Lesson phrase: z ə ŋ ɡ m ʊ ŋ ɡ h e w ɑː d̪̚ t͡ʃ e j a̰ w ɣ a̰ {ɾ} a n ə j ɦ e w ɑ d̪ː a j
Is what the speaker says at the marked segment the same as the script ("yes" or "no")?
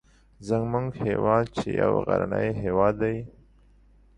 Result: yes